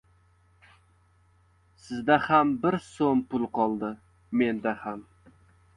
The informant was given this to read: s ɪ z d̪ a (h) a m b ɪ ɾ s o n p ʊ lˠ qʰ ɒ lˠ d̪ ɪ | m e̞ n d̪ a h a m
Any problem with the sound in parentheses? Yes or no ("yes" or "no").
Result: no